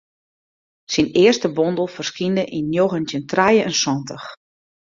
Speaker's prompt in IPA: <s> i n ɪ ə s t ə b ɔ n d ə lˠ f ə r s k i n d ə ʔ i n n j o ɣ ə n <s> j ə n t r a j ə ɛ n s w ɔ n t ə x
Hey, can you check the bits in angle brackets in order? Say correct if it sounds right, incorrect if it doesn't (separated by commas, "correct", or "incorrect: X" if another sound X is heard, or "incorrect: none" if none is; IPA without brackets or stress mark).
correct, incorrect: t